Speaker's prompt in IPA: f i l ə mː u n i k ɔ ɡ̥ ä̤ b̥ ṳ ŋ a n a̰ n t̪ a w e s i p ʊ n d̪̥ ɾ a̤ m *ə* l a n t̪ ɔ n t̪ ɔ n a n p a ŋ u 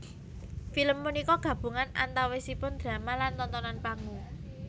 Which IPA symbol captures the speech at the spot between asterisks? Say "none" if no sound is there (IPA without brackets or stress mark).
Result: a